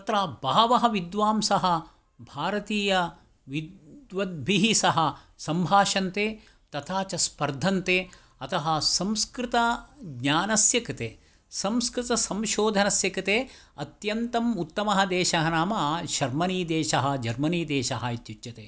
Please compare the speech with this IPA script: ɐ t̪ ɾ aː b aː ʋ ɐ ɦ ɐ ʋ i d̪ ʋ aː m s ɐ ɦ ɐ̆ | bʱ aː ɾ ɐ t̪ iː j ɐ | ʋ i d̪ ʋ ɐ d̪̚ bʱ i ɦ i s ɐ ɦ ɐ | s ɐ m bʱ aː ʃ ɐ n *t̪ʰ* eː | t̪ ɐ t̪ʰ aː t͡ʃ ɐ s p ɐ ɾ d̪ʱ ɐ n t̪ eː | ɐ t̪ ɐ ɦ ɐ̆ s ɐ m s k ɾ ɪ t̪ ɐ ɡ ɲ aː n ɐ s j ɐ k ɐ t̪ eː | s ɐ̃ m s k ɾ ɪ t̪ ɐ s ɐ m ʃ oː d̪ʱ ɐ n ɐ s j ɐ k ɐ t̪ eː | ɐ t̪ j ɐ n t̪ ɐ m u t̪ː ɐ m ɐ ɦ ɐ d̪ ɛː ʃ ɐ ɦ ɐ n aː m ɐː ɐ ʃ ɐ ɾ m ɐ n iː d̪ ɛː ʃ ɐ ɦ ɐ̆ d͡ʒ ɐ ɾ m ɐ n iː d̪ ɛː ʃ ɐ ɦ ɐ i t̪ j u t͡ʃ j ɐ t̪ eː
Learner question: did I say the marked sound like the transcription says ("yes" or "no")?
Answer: no